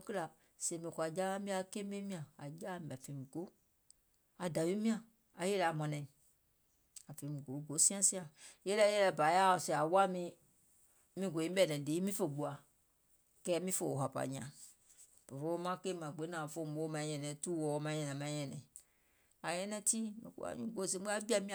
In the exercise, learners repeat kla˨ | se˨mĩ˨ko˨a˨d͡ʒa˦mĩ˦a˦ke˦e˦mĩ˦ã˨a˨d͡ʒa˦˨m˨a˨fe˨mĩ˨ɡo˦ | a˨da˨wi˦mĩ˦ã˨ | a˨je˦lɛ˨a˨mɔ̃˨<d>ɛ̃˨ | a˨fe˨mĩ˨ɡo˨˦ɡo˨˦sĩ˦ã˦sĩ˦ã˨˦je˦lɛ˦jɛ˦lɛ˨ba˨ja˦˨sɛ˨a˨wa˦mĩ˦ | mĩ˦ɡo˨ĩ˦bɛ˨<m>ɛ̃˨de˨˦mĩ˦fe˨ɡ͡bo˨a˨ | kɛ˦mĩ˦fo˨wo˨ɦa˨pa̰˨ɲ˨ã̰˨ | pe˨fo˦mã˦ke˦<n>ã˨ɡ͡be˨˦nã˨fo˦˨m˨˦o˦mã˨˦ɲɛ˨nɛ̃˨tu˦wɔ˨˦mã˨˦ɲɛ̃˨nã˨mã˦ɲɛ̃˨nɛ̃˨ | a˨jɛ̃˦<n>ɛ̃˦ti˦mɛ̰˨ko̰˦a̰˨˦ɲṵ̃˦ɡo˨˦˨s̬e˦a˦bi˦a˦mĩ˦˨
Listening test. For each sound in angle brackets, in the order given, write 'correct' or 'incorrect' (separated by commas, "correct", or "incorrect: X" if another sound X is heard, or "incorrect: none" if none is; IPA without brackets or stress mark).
incorrect: n, incorrect: n, incorrect: m, correct